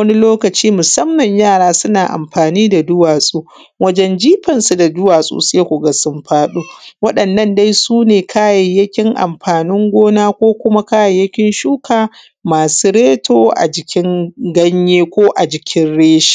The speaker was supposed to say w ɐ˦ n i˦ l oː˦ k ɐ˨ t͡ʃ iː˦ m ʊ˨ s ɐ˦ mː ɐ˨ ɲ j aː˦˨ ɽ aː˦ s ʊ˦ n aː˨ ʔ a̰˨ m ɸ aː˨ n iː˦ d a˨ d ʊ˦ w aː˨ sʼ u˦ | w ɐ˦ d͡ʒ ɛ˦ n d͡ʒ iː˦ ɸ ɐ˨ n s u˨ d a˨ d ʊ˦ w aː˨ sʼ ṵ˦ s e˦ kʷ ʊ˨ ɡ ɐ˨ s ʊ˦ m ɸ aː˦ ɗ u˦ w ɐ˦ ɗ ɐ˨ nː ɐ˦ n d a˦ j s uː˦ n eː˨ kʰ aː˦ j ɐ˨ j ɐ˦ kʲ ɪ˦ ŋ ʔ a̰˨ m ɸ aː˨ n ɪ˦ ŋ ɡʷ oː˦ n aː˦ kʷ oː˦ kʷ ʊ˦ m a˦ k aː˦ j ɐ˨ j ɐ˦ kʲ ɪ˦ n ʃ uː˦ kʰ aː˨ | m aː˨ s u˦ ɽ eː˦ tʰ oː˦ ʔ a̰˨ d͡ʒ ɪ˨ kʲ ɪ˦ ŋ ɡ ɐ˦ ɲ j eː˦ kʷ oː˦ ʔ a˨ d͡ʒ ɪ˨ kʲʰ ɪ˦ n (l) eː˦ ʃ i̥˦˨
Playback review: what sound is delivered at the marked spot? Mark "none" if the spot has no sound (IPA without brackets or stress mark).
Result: ɽ